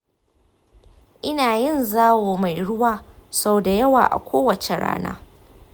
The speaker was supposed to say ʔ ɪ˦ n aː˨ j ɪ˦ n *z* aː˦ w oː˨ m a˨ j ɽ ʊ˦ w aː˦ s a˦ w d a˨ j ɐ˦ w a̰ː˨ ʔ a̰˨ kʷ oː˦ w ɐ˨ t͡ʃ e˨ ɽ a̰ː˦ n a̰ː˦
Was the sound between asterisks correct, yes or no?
yes